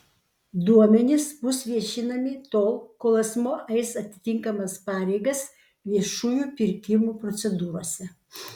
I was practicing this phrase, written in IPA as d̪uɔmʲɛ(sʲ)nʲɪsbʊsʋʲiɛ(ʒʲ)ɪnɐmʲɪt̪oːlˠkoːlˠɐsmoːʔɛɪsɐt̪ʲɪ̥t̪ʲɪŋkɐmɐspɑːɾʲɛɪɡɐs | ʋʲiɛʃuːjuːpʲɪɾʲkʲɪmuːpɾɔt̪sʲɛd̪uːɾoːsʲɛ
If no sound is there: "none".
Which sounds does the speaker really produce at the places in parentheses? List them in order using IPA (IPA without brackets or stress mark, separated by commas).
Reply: none, ʃʲ